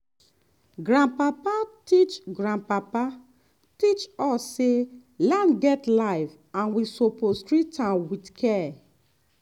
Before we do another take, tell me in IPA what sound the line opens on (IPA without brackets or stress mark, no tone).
ɡ